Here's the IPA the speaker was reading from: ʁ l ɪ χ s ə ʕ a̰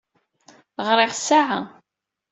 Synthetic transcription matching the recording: ʁ ɾ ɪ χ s a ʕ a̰